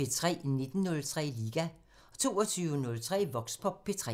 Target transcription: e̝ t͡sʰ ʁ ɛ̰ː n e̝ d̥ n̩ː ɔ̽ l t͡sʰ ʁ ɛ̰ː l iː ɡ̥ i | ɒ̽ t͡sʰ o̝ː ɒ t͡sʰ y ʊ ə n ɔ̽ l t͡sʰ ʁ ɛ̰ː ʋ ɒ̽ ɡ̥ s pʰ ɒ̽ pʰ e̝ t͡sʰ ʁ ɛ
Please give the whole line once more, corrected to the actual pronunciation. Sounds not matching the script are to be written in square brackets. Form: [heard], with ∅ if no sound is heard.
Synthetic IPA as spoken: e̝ t͡sʰ ʁ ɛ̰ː n e̝ d̥ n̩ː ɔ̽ l t͡sʰ ʁ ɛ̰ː l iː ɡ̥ [æ] | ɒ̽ t͡sʰ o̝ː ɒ t͡sʰ y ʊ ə n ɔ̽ l t͡sʰ ʁ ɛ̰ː ʋ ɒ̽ ɡ̥ s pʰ ɒ̽ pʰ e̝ t͡sʰ ʁ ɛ